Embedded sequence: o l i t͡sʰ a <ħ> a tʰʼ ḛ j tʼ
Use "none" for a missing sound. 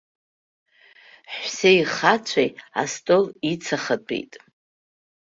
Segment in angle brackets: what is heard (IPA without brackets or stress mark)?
χ